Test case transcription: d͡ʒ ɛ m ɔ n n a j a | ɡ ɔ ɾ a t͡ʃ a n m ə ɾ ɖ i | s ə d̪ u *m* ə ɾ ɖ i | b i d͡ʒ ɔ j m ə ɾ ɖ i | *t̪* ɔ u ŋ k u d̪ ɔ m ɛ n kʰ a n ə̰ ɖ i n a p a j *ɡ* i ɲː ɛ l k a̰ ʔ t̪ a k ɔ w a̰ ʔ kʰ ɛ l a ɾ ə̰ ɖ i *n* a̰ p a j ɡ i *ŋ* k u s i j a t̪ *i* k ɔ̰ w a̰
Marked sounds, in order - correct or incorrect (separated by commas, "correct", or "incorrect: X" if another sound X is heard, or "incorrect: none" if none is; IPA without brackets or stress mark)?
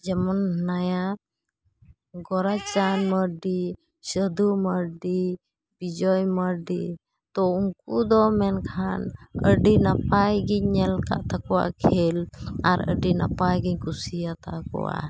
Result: correct, correct, correct, correct, incorrect: ɲ, incorrect: a